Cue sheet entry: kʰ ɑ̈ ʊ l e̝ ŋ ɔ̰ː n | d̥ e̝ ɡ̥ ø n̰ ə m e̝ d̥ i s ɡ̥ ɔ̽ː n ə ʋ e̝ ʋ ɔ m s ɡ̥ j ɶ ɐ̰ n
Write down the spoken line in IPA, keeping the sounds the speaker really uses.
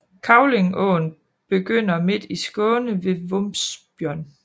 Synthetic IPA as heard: kʰ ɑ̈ ʊ l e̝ ŋ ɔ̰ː n | b̥ e̝ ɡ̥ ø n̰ ɐ m e̝ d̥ i s ɡ̥ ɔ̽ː n ə ʋ e̝ ʋ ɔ m s b̥ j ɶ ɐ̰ n

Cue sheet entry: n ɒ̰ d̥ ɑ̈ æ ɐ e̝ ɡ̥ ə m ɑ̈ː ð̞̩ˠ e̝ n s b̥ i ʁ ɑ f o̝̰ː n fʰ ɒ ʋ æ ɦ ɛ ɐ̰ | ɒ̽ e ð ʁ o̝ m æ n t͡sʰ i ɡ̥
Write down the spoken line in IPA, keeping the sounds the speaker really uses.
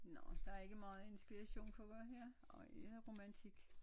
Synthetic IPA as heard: n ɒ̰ d̥ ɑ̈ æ ɐ e̝ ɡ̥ ə m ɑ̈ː ð̞̩ˠ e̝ n s b̥ i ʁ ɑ ɕ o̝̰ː n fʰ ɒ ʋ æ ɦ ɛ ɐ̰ | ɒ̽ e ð ʁ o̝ m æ n t͡sʰ i ɡ̥

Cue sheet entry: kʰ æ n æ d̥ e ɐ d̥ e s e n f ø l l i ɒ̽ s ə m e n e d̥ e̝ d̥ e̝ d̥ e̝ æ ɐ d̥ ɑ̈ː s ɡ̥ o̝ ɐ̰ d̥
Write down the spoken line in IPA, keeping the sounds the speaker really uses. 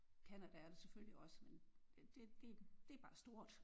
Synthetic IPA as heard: kʰ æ n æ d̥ æ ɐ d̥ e s e f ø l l i ɒ̽ s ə m e n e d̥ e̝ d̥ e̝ d̥ e̝ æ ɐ b̥ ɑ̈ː s d̥ o̝ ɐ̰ d̥

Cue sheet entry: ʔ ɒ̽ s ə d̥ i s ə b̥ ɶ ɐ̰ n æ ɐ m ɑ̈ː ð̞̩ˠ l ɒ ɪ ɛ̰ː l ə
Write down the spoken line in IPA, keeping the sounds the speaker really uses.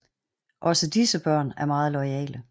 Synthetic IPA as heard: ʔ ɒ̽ s ə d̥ i s ə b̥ ɶ ɐ̰ n æ ɐ m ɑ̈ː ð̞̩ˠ l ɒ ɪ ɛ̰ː l ə

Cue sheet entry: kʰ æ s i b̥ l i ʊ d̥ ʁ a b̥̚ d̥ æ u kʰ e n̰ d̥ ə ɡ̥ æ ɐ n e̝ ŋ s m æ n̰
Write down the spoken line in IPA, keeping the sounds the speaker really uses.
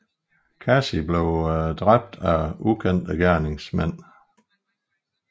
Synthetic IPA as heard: kʰ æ s i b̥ l e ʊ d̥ ʁ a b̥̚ d̥ æ u kʰ e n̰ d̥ ə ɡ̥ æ ɐ n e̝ ŋ s m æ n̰

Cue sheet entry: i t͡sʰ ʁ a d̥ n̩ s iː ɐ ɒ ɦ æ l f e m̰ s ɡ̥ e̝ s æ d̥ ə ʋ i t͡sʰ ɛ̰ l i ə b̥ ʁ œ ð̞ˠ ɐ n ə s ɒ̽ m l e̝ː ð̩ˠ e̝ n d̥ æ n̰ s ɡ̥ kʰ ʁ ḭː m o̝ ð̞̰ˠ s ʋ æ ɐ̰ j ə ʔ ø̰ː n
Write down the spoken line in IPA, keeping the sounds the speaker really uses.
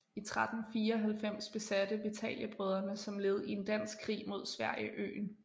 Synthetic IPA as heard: i t͡sʰ ʁ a d̥ n̩ f iː ɐ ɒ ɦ æ l f e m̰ s b̥ e̝ s æ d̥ ə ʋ i t͡sʰ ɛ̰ l j ə b̥ ʁ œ ð̞ˠ ɐ n ə s ɒ̽ m l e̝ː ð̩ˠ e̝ n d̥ æ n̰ s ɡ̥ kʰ ʁ ḭː m o̝ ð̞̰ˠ s ʋ æ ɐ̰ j ə ʔ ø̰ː n

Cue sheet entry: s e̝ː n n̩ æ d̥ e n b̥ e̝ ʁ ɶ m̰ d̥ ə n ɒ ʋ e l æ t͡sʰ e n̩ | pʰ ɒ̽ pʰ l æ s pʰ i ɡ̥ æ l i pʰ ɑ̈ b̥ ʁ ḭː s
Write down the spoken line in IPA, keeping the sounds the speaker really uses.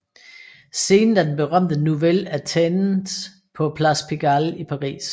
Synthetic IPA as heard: s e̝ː n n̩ æ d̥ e n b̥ e̝ ʁ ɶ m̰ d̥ ə n u ʋ e l æ t͡sʰ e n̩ | pʰ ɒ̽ pʰ l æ s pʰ i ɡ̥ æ l i pʰ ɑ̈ ʁ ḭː s

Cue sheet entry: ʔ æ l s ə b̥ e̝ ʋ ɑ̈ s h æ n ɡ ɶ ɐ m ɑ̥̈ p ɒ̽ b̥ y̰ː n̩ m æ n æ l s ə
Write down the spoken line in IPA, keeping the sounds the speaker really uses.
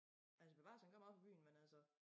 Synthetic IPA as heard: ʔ æ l s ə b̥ e̝ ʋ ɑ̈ s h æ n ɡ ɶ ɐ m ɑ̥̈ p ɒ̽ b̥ y̰ː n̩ m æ n æ l s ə

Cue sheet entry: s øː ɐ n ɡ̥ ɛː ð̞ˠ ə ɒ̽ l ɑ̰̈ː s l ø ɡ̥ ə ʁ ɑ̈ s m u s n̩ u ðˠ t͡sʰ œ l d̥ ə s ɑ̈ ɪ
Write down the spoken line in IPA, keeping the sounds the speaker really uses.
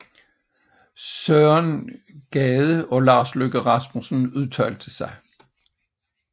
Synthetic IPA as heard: s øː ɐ n ɡ̥ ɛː ð̞ˠ ə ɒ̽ l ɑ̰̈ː s l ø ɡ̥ ə ʁ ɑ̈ s m u s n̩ u ðˠ t͡sʰ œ l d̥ ə s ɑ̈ ɪ

